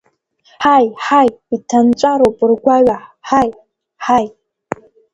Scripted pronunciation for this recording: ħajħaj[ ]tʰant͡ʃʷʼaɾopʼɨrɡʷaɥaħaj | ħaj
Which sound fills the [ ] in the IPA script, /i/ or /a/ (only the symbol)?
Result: i